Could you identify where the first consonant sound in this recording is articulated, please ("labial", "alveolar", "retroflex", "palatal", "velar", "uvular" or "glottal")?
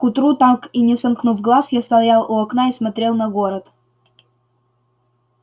velar